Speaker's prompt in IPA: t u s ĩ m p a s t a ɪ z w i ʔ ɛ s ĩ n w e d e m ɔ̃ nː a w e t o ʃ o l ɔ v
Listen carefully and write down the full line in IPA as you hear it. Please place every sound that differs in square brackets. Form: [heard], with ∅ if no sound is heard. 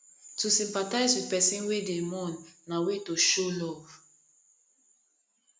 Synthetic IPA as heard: t u s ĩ m p a [∅] t a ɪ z w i [p] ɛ s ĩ n w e d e m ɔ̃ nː a w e t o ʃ o l ɔ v